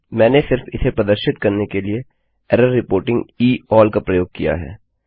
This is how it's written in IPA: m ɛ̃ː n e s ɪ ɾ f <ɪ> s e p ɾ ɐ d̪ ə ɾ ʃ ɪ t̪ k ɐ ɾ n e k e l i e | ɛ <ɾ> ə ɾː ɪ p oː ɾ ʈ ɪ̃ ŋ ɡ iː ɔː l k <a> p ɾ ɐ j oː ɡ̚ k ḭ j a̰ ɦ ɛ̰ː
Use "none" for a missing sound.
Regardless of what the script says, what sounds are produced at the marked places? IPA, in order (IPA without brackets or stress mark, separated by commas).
ɪ, ɾ, a